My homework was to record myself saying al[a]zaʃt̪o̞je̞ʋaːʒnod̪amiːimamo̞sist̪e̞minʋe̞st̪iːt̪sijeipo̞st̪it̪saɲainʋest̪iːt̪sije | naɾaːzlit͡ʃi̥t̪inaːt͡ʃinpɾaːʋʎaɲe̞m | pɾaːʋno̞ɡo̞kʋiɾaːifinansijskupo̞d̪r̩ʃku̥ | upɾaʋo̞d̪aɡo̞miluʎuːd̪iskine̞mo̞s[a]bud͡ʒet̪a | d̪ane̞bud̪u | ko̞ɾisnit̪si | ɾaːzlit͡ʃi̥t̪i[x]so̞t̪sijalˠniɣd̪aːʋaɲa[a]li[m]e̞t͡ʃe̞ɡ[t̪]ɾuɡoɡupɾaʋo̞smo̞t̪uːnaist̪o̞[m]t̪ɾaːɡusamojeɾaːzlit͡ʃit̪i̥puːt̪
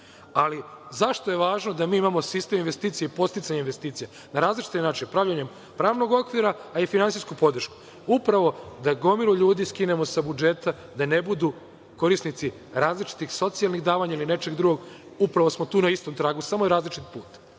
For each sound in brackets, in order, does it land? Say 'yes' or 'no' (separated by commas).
no, yes, yes, no, no, no, yes